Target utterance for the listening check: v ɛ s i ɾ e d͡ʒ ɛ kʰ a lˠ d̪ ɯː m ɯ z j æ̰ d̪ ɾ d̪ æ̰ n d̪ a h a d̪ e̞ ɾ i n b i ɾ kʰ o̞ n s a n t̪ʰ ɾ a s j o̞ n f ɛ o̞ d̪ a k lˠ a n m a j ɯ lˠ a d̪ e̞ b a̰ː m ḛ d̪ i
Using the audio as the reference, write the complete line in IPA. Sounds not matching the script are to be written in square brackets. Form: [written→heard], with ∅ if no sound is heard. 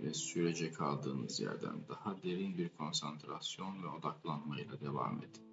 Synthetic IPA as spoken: v ɛ s [i→y] ɾ e d͡ʒ ɛ kʰ a lˠ d̪ ɯː [m→n] ɯ z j æ̰ [d̪→∅] ɾ d̪ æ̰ n d̪ a h a d̪ e̞ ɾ i n b i ɾ kʰ o̞ n s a n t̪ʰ ɾ a s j o̞ n [f→v] ɛ o̞ d̪ a k lˠ a n m a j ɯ lˠ a d̪ e̞ [b→v] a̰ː m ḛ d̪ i